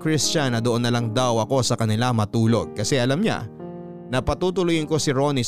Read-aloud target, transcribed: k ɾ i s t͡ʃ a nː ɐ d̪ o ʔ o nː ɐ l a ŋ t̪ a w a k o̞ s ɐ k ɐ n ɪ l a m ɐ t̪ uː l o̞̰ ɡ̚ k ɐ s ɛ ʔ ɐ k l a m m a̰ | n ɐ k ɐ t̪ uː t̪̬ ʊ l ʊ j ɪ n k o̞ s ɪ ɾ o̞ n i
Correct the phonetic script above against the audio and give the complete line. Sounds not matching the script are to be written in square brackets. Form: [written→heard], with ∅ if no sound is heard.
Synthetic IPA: k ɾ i s t͡ʃ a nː ɐ d̪ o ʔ o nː ɐ l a ŋ [t̪→d̪] a w [a→ɐ] k o̞ s ɐ k ɐ n ɪ l a m ɐ t̪ uː l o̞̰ ɡ̚ k ɐ s ɛ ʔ ɐ [k→∅] l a m [m→ɲ] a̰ | n ɐ [k→p] ɐ t̪ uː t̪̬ ʊ l ʊ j ɪ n k o̞ s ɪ ɾ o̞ n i